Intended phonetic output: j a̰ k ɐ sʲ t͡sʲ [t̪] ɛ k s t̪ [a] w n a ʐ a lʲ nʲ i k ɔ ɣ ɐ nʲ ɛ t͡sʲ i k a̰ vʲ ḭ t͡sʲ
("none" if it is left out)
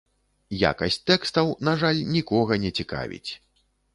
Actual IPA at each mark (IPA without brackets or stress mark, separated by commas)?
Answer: t̪, ɐ